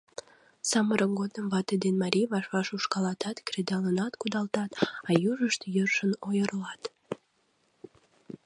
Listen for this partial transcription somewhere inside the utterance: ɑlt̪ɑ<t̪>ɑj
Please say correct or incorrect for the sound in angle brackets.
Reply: correct